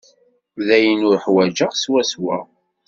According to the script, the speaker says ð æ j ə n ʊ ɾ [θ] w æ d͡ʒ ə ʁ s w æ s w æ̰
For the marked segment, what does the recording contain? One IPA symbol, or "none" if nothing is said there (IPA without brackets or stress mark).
ħ